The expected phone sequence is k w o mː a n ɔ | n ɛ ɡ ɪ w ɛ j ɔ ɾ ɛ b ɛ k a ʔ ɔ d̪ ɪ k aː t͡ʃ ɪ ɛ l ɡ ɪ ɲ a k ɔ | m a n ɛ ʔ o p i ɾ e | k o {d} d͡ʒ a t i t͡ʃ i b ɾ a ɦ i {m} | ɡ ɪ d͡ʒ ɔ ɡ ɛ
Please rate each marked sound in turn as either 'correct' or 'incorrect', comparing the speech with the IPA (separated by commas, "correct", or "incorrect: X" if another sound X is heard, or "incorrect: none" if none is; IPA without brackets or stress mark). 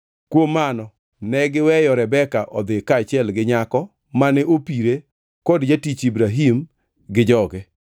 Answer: correct, correct